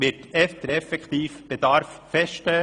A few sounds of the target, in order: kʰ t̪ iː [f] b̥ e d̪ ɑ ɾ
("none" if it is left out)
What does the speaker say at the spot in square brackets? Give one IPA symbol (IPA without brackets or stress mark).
f